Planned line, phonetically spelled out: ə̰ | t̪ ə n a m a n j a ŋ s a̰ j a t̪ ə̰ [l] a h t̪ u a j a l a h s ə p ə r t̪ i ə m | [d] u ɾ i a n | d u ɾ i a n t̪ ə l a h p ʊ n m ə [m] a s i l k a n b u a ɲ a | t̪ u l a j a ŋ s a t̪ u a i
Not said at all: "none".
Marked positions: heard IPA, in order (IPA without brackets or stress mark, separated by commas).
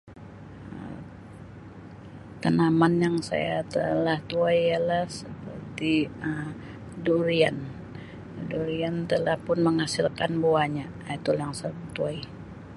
l, d, ŋ